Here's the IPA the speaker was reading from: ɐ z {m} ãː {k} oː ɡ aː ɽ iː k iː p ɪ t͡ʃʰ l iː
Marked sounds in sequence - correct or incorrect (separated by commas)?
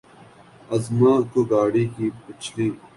correct, correct